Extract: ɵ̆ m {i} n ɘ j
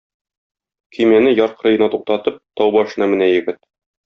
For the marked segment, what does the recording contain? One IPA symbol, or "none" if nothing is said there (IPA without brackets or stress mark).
æ